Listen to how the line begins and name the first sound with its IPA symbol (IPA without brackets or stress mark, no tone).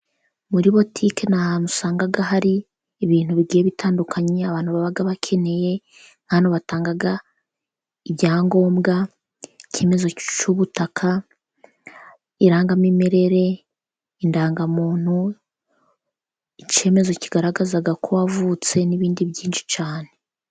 m